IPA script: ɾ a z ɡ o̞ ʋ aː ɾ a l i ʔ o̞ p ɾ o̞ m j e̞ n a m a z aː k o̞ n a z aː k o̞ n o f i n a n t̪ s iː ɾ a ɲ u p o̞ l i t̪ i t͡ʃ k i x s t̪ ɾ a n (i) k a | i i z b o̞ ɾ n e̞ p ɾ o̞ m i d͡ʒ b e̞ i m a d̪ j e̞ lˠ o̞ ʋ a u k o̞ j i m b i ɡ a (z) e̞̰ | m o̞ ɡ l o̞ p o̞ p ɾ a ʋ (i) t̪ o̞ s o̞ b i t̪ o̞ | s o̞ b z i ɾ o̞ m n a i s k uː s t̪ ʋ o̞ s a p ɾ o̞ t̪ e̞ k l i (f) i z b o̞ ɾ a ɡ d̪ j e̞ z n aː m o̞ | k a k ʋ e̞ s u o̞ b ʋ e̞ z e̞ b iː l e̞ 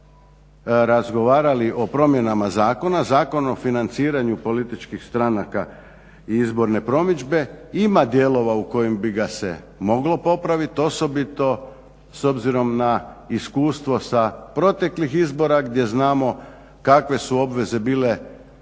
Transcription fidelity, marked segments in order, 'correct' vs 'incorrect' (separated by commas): incorrect, incorrect, correct, incorrect